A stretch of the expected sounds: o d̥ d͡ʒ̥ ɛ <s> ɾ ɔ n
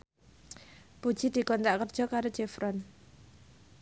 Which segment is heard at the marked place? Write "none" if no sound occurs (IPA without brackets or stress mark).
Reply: f